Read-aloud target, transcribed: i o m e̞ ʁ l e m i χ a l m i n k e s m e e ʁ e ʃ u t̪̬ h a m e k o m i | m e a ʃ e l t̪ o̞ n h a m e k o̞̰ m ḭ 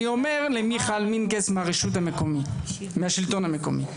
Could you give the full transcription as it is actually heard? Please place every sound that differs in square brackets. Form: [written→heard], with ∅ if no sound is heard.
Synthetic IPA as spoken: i o m e̞ ʁ l e m i χ a l m i n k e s m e [e→a] ʁ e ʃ u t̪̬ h a m e k o m i | m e a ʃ [e→i] l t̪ o̞ n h a m e k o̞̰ m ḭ